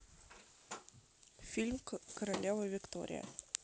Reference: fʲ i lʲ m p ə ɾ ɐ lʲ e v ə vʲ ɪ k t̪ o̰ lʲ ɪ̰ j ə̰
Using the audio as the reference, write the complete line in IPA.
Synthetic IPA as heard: fʲ i lʲ m k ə ɾ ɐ lʲ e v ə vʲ ɪ k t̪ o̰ ɾʲ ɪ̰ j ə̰